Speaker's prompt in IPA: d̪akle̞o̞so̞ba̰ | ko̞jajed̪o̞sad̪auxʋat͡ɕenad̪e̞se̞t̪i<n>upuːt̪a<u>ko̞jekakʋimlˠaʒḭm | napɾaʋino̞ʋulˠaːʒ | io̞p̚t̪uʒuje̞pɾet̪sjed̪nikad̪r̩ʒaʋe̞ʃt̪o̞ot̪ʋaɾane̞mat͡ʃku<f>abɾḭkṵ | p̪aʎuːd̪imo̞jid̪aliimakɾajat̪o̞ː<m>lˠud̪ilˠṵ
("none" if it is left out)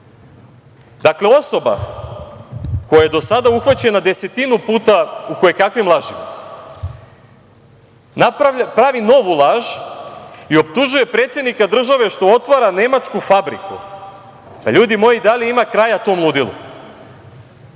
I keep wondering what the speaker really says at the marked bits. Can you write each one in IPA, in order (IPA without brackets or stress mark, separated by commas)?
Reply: n, u, f, m